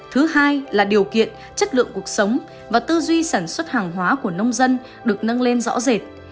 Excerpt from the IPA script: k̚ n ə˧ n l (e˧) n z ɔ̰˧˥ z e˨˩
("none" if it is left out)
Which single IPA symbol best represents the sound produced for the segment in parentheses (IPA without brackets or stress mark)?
e˧